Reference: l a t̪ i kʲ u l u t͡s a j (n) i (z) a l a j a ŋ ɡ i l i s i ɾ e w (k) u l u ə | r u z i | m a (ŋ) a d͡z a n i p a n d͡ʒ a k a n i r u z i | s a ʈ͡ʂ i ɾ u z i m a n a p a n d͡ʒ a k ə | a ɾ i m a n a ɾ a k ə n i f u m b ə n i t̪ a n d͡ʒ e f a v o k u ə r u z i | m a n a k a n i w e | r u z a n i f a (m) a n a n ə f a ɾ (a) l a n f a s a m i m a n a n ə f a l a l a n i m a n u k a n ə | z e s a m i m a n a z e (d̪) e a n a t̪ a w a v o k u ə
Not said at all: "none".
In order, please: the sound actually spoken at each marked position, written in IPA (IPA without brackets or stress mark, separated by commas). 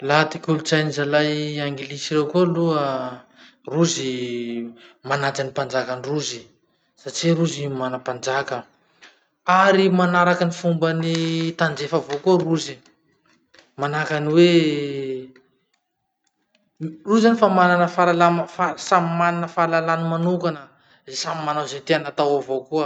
n, z, k, n, m, a, t̪